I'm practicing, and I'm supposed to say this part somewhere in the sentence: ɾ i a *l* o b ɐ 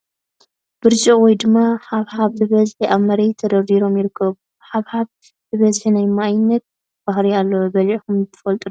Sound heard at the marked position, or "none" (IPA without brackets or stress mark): lː